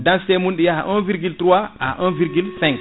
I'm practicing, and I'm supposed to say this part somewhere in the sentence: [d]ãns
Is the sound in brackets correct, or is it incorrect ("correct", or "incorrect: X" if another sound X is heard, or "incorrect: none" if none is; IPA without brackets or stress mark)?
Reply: correct